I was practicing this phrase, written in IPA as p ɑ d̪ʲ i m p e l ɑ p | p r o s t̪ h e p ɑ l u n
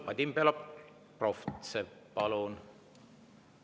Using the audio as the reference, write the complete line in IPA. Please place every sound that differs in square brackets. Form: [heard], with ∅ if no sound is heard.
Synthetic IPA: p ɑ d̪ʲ i m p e l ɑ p | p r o [f] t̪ [s] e p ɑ l u n